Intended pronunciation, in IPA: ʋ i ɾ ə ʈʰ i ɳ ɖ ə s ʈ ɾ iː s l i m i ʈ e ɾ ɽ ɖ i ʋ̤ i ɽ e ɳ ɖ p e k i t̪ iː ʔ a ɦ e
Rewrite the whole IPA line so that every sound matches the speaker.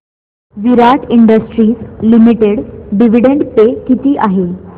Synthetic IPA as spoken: ʋ i ɾ a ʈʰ i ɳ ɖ ə s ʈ ɾ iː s l i m i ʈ e ɽ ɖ i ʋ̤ i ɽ e ɳ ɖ p e k i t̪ iː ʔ a ɦ e